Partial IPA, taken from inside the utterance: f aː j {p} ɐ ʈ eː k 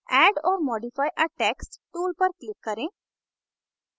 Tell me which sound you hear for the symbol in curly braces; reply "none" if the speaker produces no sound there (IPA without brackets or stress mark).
ʔ